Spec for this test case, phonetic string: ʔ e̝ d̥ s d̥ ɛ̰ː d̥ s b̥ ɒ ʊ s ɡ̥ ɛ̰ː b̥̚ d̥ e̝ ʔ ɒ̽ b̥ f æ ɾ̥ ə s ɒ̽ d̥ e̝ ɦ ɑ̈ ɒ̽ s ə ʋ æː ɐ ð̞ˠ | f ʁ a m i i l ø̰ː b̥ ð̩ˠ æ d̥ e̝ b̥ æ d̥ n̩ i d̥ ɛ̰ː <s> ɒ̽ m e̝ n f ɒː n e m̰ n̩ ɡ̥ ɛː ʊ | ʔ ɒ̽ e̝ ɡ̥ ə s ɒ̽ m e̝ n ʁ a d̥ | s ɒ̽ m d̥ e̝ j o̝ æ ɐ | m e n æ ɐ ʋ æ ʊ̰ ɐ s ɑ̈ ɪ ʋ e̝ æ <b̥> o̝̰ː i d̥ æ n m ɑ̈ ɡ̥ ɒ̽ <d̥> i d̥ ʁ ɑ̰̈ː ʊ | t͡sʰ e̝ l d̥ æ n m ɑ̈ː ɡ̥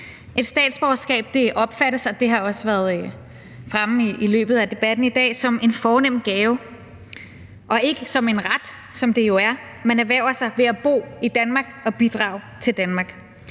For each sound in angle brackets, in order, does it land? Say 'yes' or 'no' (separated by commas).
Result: yes, yes, no